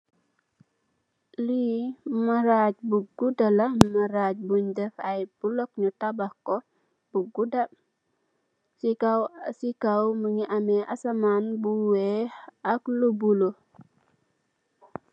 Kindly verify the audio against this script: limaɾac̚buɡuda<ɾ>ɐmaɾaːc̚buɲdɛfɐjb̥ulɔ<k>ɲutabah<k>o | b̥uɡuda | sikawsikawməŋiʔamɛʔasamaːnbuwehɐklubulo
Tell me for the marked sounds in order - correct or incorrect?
incorrect: l, correct, correct

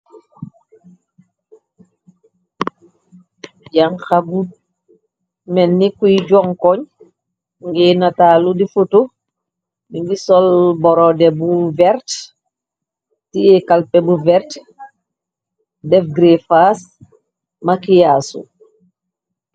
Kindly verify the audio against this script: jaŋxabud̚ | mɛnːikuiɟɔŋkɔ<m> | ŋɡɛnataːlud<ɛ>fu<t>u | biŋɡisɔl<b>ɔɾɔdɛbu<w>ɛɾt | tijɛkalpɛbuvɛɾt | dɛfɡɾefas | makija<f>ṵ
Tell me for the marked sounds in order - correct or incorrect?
incorrect: ɲ, incorrect: i, correct, correct, incorrect: v, incorrect: s

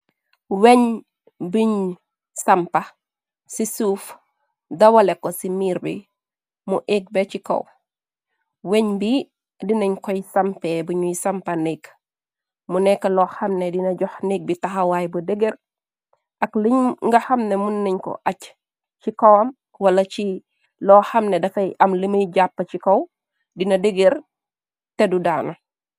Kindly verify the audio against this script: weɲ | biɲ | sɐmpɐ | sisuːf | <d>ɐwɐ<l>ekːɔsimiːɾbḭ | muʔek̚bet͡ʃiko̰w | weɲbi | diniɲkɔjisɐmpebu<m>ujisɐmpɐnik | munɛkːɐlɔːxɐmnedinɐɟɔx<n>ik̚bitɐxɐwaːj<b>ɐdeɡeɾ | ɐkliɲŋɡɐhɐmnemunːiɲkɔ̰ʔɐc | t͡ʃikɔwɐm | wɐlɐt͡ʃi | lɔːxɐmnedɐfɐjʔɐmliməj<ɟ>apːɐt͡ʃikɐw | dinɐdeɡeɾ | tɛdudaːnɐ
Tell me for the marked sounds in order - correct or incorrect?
correct, correct, incorrect: ɲ, correct, correct, correct

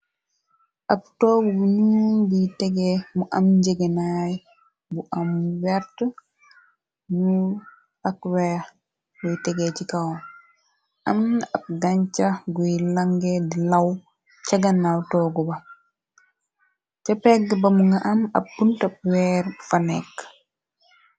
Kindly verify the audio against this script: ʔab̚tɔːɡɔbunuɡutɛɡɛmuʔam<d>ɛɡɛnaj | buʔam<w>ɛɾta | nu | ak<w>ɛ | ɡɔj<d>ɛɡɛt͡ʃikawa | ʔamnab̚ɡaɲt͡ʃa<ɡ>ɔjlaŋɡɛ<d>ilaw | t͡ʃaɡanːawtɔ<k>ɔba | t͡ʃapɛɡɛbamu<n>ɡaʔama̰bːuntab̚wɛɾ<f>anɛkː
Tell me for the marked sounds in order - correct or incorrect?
incorrect: d͡ʒ, correct, correct, incorrect: t, correct, correct, incorrect: ɡ, incorrect: ŋ, correct

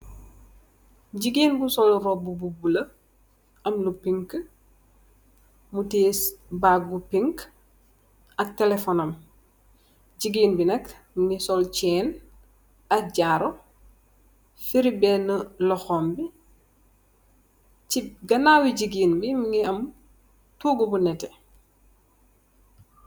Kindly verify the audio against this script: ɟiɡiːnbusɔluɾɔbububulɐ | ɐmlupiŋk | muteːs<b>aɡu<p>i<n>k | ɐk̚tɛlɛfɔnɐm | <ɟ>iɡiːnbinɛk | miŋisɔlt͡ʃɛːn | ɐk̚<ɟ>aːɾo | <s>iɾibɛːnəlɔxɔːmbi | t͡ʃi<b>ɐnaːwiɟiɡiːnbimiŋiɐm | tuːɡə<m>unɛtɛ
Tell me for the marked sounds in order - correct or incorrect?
correct, correct, incorrect: ŋ, correct, correct, incorrect: f, incorrect: ɡ, incorrect: b

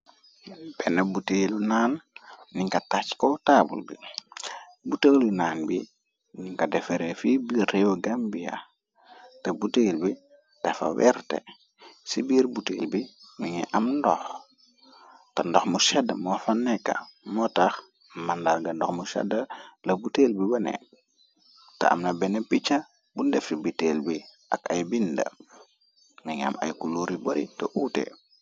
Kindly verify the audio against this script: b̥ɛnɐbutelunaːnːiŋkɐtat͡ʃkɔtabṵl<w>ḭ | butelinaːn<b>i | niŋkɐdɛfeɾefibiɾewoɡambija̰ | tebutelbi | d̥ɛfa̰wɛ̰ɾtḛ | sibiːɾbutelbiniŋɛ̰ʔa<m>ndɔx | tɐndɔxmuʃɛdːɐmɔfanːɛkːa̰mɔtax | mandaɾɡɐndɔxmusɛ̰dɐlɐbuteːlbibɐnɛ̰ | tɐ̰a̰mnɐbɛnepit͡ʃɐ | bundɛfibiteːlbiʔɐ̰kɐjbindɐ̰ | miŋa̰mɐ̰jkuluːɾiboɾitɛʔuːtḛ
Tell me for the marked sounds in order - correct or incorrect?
incorrect: b, correct, correct

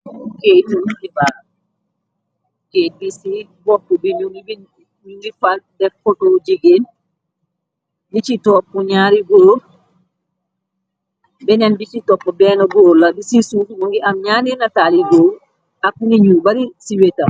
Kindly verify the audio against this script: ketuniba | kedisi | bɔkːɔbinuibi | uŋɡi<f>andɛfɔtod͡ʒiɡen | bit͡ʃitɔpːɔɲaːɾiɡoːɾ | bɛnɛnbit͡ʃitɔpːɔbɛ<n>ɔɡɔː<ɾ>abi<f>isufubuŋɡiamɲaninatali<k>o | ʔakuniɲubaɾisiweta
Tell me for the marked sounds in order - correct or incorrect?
correct, correct, incorrect: l, incorrect: s, incorrect: ɡ

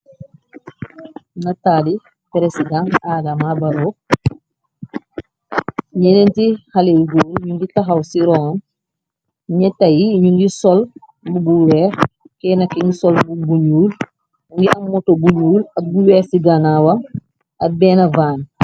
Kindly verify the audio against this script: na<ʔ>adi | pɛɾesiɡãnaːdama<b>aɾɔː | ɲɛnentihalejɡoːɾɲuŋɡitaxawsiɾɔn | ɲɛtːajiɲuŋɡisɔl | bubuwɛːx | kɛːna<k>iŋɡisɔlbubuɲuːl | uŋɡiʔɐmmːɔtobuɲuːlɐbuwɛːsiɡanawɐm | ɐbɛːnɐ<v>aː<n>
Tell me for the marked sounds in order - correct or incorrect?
incorrect: t, correct, correct, correct, correct

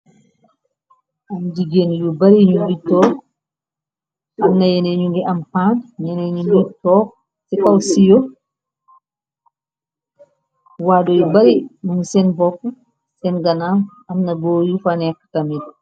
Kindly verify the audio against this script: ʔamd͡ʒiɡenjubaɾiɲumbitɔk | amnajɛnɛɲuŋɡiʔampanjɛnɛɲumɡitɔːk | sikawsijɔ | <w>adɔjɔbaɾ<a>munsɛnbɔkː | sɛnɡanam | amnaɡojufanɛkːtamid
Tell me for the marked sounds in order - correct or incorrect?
correct, incorrect: i

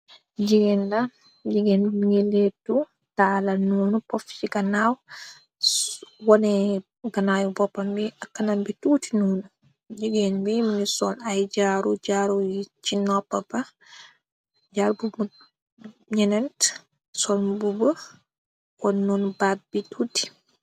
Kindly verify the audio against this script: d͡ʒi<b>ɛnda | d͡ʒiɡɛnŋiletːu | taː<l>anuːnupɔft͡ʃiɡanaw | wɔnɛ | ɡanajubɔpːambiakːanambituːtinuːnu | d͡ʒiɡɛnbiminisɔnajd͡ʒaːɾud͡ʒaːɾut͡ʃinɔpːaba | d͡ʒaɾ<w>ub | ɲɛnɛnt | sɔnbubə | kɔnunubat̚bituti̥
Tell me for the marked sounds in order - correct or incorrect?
incorrect: ɡ, correct, incorrect: b

